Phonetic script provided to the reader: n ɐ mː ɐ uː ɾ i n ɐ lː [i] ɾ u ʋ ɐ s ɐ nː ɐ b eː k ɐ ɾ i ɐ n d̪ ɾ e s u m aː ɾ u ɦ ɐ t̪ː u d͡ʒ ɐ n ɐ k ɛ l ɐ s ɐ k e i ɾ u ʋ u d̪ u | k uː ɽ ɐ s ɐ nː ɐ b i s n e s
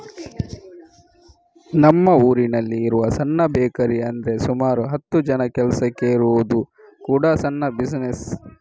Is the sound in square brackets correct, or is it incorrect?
incorrect: iː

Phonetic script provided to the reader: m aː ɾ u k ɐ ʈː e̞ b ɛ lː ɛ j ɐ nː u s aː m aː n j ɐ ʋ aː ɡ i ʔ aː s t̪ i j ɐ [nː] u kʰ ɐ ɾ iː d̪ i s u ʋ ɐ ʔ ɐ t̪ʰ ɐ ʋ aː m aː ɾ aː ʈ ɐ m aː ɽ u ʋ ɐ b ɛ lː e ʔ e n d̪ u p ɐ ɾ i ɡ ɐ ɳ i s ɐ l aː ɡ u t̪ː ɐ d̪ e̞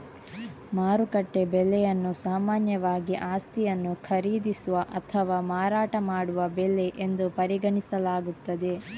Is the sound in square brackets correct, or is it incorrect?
correct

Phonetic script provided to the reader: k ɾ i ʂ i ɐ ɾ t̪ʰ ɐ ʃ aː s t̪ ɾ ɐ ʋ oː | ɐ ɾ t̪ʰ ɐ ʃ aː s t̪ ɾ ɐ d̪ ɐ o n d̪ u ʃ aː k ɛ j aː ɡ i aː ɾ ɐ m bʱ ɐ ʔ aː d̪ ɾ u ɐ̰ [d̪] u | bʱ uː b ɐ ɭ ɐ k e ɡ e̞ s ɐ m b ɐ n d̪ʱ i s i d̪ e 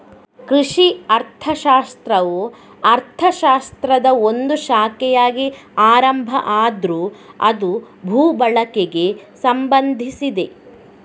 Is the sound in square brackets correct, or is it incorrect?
correct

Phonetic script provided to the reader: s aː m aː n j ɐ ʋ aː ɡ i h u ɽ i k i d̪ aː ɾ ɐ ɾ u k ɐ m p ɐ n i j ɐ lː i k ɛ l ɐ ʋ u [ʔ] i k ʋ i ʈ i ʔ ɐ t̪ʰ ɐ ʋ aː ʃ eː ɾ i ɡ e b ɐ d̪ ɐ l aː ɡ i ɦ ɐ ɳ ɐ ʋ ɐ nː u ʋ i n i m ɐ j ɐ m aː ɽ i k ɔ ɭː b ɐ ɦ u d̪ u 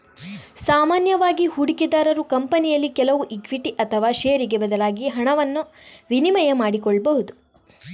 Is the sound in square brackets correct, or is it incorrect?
correct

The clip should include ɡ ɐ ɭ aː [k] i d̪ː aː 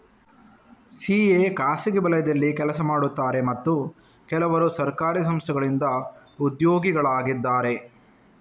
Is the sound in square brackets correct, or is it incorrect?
incorrect: ɡ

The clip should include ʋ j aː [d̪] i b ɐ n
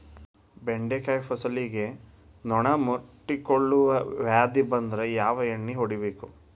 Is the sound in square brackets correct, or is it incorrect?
correct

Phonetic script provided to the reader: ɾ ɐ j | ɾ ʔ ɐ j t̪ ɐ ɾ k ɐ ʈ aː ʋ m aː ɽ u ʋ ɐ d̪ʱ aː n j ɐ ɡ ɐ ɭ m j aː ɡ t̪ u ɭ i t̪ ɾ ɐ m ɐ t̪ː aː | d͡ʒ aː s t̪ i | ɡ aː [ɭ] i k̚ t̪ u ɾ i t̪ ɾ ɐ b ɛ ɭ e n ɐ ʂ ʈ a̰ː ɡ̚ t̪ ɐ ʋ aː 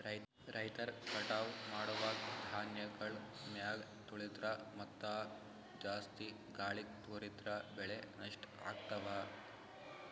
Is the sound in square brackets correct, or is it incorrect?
correct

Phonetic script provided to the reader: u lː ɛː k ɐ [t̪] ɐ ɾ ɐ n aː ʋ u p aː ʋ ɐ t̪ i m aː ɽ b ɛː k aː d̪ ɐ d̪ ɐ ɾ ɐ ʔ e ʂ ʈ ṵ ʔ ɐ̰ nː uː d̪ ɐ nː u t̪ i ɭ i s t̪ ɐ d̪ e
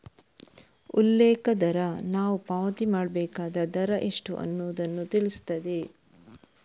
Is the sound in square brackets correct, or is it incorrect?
incorrect: d̪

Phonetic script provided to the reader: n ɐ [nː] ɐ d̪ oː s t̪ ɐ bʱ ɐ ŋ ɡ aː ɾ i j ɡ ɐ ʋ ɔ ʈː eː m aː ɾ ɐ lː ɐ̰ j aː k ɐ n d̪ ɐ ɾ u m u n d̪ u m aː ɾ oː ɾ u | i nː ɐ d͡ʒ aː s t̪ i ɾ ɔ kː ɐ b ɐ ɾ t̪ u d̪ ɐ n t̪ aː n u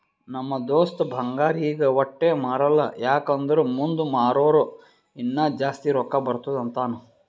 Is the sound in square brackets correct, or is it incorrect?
incorrect: mː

